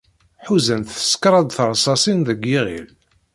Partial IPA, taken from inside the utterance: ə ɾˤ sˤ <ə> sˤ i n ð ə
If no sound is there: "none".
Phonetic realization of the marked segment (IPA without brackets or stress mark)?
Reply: ɑ